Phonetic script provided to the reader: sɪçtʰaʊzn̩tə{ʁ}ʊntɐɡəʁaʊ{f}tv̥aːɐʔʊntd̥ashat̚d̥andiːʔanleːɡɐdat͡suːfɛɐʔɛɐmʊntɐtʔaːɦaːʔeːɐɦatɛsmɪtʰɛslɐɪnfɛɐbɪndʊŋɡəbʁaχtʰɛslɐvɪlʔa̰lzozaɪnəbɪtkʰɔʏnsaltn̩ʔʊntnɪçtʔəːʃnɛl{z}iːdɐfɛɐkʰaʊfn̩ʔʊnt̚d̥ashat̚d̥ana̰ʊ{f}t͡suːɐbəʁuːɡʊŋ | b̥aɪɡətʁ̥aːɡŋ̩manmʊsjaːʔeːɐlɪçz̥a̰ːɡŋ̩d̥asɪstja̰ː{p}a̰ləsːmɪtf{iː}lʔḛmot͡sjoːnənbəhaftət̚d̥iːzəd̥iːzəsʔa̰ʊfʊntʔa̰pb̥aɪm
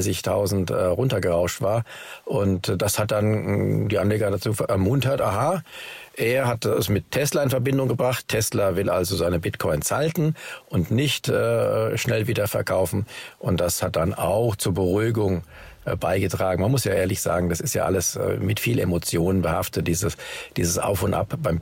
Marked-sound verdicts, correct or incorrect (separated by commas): correct, incorrect, incorrect, incorrect, incorrect, correct